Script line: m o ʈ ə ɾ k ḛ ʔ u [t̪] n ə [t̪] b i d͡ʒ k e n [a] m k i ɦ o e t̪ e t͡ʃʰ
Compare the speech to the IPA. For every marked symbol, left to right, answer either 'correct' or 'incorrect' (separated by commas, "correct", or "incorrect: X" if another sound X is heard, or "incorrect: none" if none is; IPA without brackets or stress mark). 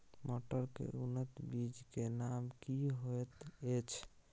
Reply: incorrect: none, correct, correct